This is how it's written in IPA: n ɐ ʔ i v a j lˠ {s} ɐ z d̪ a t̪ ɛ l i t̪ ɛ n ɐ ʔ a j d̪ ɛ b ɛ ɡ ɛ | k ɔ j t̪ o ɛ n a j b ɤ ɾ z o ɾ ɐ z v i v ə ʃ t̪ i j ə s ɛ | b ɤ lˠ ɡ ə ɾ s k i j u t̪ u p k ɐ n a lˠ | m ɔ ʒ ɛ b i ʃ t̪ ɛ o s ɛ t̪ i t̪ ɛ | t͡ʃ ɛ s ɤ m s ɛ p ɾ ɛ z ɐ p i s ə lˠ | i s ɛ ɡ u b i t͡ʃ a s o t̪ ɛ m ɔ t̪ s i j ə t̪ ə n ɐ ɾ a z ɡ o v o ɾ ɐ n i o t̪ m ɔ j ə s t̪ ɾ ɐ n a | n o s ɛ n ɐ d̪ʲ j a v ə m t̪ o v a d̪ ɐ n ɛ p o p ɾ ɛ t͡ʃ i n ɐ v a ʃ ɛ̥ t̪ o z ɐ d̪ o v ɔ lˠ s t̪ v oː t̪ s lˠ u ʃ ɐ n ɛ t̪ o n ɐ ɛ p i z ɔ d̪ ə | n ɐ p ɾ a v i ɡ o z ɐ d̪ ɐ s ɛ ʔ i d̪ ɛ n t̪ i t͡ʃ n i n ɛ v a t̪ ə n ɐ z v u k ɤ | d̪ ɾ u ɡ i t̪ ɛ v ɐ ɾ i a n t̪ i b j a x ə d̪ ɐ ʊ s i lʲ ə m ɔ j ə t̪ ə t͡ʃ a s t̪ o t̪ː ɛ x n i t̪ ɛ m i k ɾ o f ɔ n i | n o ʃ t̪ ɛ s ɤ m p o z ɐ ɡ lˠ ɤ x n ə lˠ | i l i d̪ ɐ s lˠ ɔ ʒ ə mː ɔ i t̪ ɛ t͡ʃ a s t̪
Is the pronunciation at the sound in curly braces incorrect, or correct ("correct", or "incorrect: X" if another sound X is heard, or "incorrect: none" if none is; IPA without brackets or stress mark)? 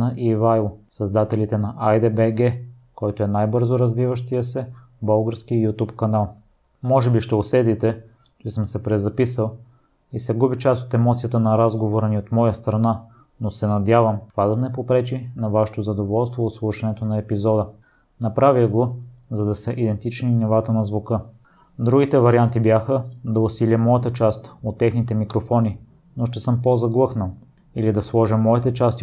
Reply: correct